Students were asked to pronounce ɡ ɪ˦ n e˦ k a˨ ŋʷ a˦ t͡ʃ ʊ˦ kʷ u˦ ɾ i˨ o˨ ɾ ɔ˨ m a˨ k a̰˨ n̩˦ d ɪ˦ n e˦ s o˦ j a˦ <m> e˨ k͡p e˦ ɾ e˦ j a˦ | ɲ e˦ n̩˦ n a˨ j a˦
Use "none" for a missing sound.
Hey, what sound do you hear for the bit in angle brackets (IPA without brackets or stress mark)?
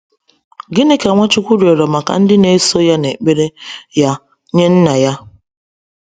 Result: n